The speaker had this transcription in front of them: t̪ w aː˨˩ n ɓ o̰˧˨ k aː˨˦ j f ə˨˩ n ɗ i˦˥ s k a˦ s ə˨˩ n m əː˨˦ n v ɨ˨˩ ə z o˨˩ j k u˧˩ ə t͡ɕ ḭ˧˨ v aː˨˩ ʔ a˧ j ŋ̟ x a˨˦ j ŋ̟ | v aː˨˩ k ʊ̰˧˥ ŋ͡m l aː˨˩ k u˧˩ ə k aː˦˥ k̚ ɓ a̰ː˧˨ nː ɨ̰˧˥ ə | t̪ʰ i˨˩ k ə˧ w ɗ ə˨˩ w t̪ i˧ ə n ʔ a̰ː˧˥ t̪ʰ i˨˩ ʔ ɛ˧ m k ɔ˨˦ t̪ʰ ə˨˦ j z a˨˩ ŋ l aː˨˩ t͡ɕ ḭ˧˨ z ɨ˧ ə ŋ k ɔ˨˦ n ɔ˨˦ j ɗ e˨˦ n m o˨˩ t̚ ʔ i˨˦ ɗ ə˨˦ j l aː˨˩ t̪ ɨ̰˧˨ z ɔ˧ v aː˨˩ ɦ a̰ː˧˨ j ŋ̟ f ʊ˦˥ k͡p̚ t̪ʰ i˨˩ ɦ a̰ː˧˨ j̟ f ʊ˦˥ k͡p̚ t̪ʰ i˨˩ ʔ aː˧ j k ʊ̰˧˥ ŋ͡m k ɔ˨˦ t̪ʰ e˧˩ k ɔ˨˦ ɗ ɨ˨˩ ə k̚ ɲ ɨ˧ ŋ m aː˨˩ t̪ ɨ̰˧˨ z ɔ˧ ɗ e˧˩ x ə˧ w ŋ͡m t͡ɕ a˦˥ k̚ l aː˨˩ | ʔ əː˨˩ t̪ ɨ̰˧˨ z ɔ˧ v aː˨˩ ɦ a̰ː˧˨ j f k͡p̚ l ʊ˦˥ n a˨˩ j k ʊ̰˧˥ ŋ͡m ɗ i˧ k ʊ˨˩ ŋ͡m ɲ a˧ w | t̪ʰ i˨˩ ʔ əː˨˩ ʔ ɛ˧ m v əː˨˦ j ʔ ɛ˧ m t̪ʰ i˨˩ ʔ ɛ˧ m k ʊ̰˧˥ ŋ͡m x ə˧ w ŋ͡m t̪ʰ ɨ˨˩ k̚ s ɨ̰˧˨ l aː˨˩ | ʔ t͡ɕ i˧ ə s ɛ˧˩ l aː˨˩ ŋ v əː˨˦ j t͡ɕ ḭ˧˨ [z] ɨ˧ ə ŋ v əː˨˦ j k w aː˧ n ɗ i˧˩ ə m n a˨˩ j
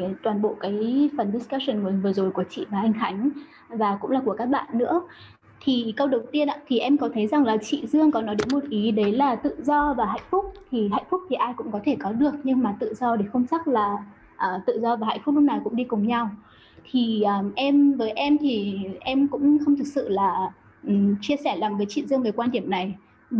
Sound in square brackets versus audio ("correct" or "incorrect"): correct